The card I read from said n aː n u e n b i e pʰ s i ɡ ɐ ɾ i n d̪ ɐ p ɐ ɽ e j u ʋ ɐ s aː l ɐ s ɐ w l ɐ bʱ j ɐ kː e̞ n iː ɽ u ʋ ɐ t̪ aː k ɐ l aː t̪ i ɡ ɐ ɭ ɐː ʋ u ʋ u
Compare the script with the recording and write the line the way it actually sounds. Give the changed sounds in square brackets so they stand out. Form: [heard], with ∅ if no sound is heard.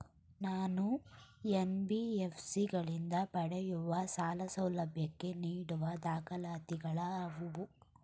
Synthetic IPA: n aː n u e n b i e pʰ s i ɡ ɐ [ɭ] i n d̪ ɐ p ɐ ɽ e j u ʋ ɐ s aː l ɐ s ɐ w l ɐ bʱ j ɐ kː e̞ n iː ɽ u ʋ ɐ [d̪] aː k ɐ l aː t̪ i ɡ ɐ ɭ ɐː ʋ u ʋ u